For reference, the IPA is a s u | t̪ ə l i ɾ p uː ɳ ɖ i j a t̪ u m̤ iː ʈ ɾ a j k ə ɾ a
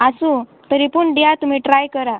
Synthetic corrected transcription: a s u | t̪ ə ɾ i p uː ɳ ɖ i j a t̪ u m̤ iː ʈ ɾ a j k ə ɾ a